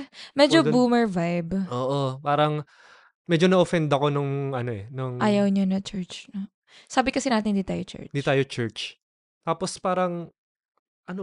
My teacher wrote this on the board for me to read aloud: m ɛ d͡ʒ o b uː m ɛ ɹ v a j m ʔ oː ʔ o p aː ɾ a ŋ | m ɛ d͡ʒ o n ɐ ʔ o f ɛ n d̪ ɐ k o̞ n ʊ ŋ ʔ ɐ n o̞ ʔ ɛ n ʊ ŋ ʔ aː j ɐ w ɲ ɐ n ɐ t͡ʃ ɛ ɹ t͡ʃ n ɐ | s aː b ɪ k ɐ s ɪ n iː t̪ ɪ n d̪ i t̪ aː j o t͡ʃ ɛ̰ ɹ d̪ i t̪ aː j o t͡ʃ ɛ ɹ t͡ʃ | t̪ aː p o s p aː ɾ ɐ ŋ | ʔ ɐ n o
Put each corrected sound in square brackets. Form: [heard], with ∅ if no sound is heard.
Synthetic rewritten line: m ɛ d͡ʒ o b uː m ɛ ɹ v a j [b] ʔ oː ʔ o p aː ɾ [ɐ] ŋ | m ɛ d͡ʒ o n ɐ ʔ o f ɛ n d̪ ɐ k o̞ n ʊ ŋ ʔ ɐ n o̞ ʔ ɛ n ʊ ŋ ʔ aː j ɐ w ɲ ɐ n ɐ t͡ʃ ɛ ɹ t͡ʃ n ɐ | s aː b ɪ k ɐ s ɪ n [aː] t̪ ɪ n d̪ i t̪ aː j o t͡ʃ ɛ̰ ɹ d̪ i t̪ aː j o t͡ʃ ɛ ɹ t͡ʃ | t̪ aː p o s p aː ɾ ɐ ŋ | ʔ ɐ n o